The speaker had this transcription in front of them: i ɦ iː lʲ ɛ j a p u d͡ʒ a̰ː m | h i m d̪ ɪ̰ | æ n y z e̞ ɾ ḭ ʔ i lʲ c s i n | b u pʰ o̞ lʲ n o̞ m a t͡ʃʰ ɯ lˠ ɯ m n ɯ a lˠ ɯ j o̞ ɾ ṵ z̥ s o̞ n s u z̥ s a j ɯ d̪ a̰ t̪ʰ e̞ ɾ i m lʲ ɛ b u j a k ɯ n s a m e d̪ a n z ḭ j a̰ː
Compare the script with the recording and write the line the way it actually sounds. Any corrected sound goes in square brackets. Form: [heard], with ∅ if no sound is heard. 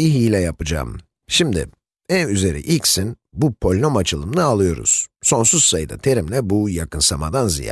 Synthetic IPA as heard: i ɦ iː lʲ ɛ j a p [ɯ] d͡ʒ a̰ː m | [ʃ] i m d̪ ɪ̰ | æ n y z e̞ ɾ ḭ ʔ i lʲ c s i n | b u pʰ o̞ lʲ n o̞ m a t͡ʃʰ ɯ lˠ ɯ m n ɯ a lˠ ɯ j o̞ ɾ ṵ z̥ s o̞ n s u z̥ s a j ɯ d̪ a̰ t̪ʰ e̞ ɾ i m lʲ ɛ b u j a k ɯ n s a m [a] d̪ a n z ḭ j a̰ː

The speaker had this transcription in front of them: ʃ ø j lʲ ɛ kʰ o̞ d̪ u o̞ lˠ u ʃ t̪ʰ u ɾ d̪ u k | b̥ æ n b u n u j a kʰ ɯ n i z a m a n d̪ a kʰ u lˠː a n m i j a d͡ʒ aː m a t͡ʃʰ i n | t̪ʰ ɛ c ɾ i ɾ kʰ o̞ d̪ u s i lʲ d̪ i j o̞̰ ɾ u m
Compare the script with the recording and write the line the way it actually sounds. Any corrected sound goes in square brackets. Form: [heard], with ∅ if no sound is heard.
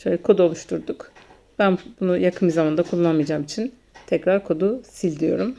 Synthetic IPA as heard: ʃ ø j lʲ ɛ kʰ o̞ d̪ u o̞ lˠ u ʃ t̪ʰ u ɾ d̪ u k | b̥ æ n b u n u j a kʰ ɯ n i z a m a n d̪ a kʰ u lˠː a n m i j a d͡ʒ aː m [i] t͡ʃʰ i n | t̪ʰ ɛ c ɾ [a] ɾ kʰ o̞ d̪ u s i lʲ d̪ i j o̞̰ ɾ u m

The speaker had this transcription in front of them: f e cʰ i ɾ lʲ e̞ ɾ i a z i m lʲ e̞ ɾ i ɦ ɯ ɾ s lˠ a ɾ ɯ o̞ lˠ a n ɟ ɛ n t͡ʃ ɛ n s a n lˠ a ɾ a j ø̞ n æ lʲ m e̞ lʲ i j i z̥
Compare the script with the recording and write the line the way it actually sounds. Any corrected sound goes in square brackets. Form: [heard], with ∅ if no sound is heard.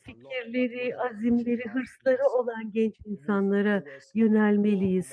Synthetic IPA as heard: f [i] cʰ i ɾ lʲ e̞ ɾ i a z i m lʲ e̞ ɾ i ɦ ɯ ɾ s lˠ a ɾ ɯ o̞ lˠ a n ɟ ɛ n t͡ʃ [i] n s a n lˠ a ɾ a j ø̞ n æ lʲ m e̞ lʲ i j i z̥

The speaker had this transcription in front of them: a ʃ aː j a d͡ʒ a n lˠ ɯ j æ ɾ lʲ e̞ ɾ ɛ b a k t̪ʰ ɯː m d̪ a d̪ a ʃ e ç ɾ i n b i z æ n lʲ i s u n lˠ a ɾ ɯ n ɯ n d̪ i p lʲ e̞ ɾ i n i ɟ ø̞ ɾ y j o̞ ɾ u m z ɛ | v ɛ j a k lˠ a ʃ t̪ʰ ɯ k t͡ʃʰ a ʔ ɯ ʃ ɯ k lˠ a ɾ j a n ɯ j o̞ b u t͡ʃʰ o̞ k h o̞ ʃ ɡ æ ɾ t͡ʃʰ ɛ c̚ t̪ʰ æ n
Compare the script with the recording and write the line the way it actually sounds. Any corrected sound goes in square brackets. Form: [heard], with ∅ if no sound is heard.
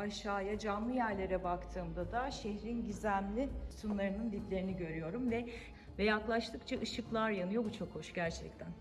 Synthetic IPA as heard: a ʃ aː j a d͡ʒ a n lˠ ɯ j æ ɾ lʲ e̞ ɾ ɛ b a k t̪ʰ ɯː m d̪ a d̪ a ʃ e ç ɾ i n [ɟ] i z æ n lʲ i s u n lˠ a ɾ ɯ n ɯ n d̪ i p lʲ e̞ ɾ i n i ɟ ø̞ ɾ y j o̞ ɾ u m [v] ɛ | v ɛ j a k lˠ a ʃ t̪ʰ ɯ k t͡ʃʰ a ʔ ɯ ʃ ɯ k lˠ a ɾ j a n ɯ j o̞ b u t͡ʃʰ o̞ k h o̞ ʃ [ɟ] æ ɾ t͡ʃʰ ɛ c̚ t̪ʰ æ n

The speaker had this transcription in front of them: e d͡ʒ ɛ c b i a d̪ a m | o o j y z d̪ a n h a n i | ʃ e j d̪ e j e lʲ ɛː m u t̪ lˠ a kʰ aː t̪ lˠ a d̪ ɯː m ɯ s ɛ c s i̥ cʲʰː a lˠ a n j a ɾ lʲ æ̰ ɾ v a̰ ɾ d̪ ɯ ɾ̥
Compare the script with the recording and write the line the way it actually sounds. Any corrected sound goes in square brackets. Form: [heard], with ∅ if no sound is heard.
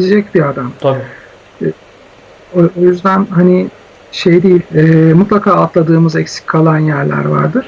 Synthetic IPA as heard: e d͡ʒ ɛ c b i a d̪ a m | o o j y z d̪ [æ] n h a n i | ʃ e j d̪ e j [i] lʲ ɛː m u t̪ lˠ a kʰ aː t̪ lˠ a d̪ ɯː m ɯ [z] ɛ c s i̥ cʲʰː a lˠ a n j [æ] ɾ lʲ æ̰ ɾ v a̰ ɾ d̪ ɯ ɾ̥

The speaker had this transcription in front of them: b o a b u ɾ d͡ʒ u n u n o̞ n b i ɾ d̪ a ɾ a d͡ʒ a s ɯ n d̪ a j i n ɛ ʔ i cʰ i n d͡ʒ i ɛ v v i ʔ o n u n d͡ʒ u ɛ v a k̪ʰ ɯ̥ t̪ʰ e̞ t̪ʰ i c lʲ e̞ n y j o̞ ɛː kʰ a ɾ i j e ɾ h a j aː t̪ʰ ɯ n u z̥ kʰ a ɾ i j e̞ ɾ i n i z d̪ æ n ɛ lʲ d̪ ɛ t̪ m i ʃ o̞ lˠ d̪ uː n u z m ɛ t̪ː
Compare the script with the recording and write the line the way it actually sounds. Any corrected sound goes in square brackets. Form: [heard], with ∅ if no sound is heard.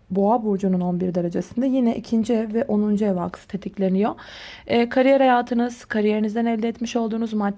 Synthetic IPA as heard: b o a b u ɾ d͡ʒ u n u n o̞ n b i ɾ d̪ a ɾ a d͡ʒ a s ɯ n d̪ a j i n ɛ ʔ i cʰ i n d͡ʒ i ɛ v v [ɛ] ʔ o n u n d͡ʒ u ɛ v a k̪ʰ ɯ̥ t̪ʰ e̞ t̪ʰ i c lʲ e̞ n [i] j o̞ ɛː kʰ a ɾ i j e ɾ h a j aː t̪ʰ ɯ n [ɯ] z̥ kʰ a ɾ i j e̞ ɾ i n i z d̪ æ n ɛ lʲ d̪ ɛ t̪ m i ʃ o̞ lˠ d̪ uː n u z m [a] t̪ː

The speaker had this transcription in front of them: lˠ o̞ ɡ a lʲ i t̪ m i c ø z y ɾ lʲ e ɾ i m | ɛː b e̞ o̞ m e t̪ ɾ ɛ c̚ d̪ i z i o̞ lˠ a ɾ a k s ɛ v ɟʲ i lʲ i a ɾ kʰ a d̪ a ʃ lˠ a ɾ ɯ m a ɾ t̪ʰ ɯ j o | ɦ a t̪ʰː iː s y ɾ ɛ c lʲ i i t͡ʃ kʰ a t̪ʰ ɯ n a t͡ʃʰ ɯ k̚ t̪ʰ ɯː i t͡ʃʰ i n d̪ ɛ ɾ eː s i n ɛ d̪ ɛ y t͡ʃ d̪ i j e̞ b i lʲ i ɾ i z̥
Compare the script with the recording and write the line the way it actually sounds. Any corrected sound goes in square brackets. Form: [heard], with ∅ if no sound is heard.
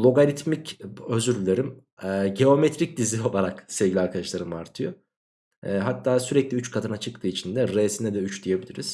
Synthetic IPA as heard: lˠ o̞ ɡ a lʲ i t̪ m i c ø z y ɾ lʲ e ɾ i m | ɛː [ɟ] e̞ o̞ m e t̪ ɾ [i] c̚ d̪ i z i o̞ lˠ a ɾ a k s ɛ v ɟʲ i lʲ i a ɾ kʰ a d̪ a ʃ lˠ a ɾ ɯ m a ɾ t̪ʰ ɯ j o | ɦ a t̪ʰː [aː] s y ɾ ɛ c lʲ i [y] t͡ʃ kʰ a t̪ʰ ɯ n a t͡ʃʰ ɯ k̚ t̪ʰ ɯː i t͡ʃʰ i n d̪ ɛ ɾ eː s i n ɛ d̪ ɛ y t͡ʃ d̪ i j e̞ b i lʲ i ɾ i z̥

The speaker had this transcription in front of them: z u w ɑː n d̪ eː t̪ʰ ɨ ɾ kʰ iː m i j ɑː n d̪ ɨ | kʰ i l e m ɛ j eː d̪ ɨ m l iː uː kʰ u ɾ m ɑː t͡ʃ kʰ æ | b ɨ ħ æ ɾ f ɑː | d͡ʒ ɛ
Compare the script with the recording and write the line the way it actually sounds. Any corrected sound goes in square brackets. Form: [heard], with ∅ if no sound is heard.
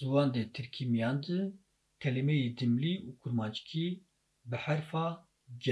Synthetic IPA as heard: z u w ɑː n d̪ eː t̪ʰ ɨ ɾ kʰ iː m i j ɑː n d̪ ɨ | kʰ [ɛ] l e m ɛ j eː d̪ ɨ m l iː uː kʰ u ɾ m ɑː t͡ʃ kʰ [i] | b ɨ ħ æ ɾ f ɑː | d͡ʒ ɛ

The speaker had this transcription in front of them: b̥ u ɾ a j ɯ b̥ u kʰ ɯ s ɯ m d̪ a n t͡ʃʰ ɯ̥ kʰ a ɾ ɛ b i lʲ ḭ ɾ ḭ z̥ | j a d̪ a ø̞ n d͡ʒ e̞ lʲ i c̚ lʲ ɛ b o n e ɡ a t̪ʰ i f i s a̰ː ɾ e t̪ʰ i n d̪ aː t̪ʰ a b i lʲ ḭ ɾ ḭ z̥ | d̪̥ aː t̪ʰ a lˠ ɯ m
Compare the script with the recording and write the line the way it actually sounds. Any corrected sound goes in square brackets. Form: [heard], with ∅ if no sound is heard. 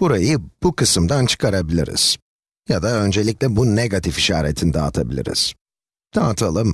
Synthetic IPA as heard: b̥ u ɾ a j ɯ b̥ u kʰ ɯ s ɯ m d̪ a n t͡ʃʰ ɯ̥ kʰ a ɾ [a] b i lʲ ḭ ɾ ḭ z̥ | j a d̪ a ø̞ n d͡ʒ e̞ lʲ i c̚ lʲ ɛ b [u] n e ɡ a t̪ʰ i f i [ʃ] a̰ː ɾ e t̪ʰ i n d̪ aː t̪ʰ a b i lʲ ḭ ɾ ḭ z̥ | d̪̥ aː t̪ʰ a lˠ ɯ m

